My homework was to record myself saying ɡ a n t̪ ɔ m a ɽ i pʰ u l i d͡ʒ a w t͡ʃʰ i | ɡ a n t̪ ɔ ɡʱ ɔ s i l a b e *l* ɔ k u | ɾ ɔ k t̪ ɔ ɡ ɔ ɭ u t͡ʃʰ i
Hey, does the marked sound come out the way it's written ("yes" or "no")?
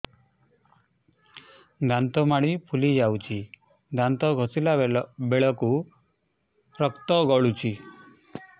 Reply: no